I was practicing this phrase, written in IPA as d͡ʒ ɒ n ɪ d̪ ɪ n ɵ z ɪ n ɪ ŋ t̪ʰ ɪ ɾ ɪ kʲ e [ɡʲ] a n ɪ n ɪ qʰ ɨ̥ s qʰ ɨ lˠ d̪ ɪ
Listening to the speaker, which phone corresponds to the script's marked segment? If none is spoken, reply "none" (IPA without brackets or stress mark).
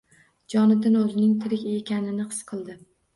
kʲ